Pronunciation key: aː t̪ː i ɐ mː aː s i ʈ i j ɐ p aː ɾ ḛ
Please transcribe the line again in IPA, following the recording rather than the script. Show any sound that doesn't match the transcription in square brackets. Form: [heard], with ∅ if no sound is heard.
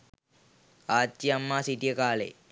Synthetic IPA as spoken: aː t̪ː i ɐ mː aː s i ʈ i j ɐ [k] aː [l] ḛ